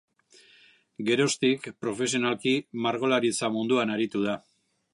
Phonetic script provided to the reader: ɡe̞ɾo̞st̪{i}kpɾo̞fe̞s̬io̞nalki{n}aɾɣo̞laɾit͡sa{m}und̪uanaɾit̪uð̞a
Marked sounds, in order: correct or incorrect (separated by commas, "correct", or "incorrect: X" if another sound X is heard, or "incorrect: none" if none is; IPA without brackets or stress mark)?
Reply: correct, incorrect: m, correct